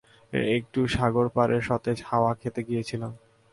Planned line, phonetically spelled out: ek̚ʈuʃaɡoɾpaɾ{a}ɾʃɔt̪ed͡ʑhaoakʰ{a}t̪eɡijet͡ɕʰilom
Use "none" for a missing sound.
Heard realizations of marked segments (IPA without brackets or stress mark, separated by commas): e, e